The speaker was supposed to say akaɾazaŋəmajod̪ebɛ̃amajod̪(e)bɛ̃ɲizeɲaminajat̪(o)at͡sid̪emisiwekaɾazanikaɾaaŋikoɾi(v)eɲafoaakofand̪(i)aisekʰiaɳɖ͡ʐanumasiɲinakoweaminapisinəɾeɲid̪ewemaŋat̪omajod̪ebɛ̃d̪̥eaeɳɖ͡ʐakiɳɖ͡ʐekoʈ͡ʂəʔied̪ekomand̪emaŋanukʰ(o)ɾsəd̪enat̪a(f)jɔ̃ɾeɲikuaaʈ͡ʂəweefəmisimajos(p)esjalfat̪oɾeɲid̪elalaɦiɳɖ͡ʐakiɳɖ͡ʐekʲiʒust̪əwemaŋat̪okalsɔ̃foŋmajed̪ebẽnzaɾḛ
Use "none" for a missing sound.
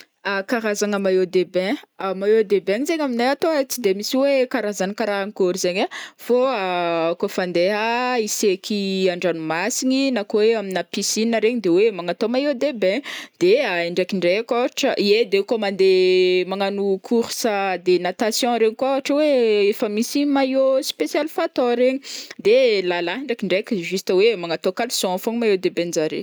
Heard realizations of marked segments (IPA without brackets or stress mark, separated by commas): e, o, z, e, u, s, p